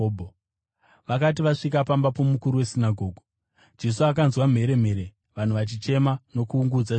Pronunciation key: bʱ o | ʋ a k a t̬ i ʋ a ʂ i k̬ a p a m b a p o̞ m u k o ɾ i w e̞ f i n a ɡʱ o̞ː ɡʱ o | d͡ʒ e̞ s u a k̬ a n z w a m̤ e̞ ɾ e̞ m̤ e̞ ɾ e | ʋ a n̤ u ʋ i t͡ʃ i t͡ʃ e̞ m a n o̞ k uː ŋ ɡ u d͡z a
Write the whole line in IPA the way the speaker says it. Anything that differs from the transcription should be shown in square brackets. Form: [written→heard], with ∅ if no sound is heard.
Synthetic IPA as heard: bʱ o | ʋ a k a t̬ i ʋ a ʂ i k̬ a p a m b a p o̞ m u k [o→u] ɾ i w e̞ [f→s] i n a ɡʱ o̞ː ɡʱ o | d͡ʒ e̞ s u a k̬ a n z w a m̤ e̞ ɾ e̞ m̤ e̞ ɾ e | ʋ a n̤ u ʋ [i→a] t͡ʃ i t͡ʃ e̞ m a n o̞ k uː ŋ ɡ u d͡z a